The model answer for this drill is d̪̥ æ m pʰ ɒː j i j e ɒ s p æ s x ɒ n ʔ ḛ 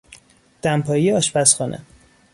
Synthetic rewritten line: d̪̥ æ m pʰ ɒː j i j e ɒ ʃ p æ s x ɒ n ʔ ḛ